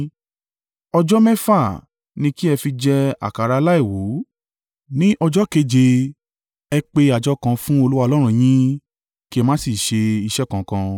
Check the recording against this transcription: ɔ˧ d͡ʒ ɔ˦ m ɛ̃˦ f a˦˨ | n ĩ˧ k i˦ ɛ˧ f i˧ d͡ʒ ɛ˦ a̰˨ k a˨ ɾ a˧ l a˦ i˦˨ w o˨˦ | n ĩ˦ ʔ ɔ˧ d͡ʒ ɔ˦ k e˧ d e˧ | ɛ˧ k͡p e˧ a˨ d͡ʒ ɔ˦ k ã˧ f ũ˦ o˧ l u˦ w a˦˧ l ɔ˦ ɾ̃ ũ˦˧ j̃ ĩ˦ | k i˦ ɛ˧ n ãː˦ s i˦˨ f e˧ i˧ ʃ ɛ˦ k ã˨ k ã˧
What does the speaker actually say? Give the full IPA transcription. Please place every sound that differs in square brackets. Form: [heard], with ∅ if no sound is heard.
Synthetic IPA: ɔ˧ d͡ʒ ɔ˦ m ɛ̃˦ f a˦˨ | n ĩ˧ k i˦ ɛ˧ f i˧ d͡ʒ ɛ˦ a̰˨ k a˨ ɾ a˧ l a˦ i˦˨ w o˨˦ | n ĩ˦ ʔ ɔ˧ d͡ʒ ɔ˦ k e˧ [d͡ʒ] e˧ | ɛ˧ k͡p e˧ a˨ d͡ʒ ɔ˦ k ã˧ f ũ˦ o˧ l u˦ w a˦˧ l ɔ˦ ɾ̃ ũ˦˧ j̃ ĩ˦ | k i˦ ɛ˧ [m] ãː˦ s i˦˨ [ʃ] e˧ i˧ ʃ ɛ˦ k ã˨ k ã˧